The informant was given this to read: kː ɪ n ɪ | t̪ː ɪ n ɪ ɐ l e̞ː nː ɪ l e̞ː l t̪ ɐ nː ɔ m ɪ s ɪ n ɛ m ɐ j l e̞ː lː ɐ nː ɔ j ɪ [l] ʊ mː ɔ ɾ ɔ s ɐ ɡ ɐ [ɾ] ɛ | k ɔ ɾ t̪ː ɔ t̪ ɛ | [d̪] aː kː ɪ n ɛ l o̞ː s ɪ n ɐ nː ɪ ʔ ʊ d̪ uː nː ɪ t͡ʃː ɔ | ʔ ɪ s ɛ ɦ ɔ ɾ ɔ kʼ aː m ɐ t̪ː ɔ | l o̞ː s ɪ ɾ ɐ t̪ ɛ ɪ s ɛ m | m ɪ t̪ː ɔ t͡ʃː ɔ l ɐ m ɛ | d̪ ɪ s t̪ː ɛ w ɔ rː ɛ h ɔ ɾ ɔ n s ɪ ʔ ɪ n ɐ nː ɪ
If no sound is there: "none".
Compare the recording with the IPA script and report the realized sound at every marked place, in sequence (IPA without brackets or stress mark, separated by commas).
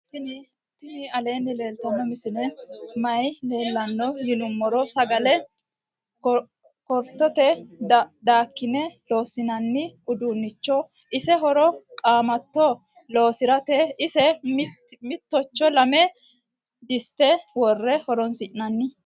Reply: l, l, d̪